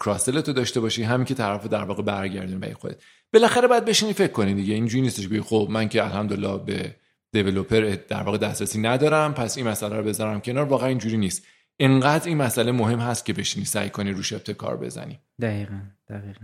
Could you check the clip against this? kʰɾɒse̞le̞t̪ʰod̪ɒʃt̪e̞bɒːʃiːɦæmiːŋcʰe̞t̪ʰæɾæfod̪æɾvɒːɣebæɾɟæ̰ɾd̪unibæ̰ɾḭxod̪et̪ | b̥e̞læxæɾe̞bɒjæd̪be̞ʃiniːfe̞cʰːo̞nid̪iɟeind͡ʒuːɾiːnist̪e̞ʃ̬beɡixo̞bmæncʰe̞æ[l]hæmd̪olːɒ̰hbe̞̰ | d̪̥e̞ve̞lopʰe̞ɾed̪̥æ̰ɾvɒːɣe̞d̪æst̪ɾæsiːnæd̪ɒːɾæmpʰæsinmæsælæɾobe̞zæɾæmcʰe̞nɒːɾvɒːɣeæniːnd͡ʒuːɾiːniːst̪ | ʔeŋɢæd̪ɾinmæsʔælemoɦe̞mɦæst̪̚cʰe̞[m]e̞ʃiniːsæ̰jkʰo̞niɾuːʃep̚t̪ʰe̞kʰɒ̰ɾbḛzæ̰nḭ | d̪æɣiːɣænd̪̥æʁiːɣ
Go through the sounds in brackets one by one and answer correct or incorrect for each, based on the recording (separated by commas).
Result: correct, incorrect